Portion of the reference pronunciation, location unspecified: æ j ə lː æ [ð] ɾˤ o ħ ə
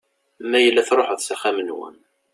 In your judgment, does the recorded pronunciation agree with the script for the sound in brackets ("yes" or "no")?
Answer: no